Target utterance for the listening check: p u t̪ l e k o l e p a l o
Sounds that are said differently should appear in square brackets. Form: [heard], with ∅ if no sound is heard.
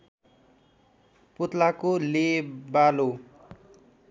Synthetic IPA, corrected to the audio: p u t̪ l [a] k o l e [b] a l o